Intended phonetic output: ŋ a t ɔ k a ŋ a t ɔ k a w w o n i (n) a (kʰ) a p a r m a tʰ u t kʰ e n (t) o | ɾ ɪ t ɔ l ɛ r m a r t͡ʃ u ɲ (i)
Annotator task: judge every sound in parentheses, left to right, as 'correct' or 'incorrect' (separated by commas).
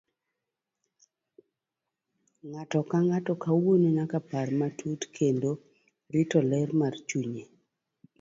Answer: correct, incorrect, incorrect, incorrect